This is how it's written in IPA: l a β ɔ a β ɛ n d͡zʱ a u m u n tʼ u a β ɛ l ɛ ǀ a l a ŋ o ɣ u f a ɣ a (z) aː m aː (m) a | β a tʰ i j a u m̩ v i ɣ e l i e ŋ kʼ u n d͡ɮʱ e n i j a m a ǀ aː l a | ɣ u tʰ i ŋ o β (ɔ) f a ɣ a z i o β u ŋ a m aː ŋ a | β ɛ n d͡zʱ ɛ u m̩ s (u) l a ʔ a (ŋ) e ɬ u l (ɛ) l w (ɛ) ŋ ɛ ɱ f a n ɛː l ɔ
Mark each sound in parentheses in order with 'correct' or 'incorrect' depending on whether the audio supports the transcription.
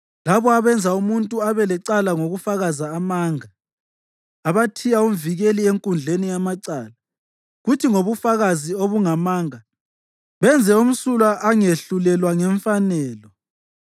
correct, incorrect: ŋ, incorrect: u, correct, correct, correct, incorrect: a

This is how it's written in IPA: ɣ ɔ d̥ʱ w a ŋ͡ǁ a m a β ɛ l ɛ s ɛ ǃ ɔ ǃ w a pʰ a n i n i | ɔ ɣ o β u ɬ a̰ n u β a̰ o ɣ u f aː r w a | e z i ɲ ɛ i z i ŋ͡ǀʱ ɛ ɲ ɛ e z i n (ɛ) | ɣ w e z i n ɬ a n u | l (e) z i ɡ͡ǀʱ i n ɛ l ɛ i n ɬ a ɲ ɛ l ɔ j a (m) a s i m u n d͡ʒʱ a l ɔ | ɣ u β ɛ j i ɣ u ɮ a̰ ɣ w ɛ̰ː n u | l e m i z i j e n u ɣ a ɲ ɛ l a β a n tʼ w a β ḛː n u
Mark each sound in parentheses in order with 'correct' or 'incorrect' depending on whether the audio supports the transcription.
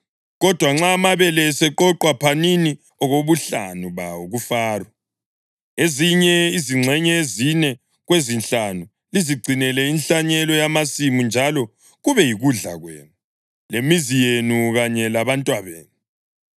correct, incorrect: i, correct

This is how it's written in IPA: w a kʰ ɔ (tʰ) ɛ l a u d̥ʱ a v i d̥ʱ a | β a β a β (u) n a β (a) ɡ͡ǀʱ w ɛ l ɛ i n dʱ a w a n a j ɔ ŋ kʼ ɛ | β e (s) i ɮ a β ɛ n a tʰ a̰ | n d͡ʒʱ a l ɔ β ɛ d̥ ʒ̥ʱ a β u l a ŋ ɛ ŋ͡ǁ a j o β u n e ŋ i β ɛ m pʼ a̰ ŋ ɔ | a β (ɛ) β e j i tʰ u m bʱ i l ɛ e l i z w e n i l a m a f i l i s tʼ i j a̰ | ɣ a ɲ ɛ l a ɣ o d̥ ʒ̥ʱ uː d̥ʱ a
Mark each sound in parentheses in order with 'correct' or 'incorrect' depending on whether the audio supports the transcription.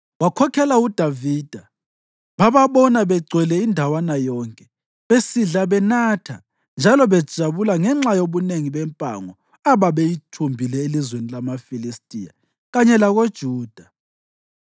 incorrect: kʰ, incorrect: ɔ, incorrect: ɛ, correct, incorrect: a

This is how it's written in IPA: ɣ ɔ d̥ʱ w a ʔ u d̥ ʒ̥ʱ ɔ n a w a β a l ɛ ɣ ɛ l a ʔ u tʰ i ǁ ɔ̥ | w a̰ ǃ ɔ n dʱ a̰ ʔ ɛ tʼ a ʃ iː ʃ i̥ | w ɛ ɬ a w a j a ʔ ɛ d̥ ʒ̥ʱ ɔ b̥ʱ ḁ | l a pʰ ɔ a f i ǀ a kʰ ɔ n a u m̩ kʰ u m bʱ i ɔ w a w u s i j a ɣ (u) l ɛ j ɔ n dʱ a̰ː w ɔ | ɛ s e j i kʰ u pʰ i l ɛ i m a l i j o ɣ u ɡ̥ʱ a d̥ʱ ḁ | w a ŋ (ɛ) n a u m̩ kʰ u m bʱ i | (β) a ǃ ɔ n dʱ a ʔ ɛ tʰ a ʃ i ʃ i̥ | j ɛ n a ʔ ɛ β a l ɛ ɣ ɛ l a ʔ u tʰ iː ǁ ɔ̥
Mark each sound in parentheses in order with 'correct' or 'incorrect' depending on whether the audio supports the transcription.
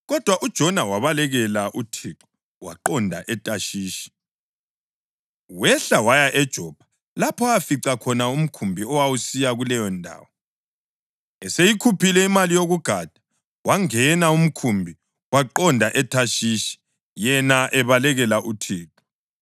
correct, correct, incorrect: w

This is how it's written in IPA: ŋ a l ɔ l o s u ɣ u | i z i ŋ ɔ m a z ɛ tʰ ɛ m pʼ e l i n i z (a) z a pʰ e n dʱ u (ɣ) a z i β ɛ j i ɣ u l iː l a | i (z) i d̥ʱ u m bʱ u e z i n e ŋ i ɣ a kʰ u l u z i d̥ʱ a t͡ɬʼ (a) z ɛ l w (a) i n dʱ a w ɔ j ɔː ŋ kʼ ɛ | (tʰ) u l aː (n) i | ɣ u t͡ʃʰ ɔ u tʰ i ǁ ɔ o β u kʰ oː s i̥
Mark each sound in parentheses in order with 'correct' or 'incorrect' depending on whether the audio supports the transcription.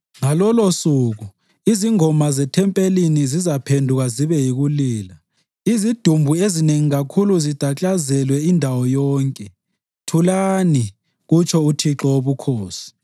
incorrect: i, correct, correct, correct, incorrect: ɛ, correct, correct

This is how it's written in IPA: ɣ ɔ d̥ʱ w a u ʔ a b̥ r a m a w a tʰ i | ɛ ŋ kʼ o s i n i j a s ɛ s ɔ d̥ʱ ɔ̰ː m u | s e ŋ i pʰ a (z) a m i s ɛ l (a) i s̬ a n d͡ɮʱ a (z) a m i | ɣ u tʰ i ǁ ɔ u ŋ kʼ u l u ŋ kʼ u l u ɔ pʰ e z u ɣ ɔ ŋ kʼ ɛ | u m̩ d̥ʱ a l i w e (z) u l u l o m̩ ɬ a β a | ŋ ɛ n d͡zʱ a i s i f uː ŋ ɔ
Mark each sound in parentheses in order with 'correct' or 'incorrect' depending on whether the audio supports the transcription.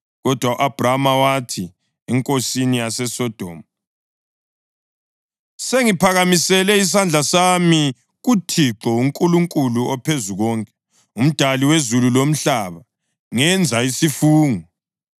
incorrect: ɣ, incorrect: ɛ, incorrect: s, correct

